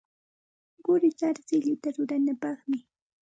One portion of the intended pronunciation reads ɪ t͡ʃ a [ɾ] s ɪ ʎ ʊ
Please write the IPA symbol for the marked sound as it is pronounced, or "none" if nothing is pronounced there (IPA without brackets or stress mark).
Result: ɾ